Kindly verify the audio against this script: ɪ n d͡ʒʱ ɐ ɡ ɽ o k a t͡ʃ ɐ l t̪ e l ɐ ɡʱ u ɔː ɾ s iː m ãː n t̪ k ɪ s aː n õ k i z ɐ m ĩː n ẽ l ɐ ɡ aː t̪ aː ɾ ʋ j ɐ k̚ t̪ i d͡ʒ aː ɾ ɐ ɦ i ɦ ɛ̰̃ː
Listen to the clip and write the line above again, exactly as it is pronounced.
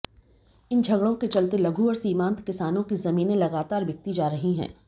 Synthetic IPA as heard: ɪ n d͡ʒʱ ɐ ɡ ɽ õ k e t͡ʃ ɐ l t̪ e l ɐ ɡʱ u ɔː ɾ s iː m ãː n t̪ k ɪ s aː n õ k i z ɐ m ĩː n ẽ l ɐ ɡ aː t̪ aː ɾ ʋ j ɐ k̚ t̪ i d͡ʒ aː ɾ ɐ ɦ i ɦ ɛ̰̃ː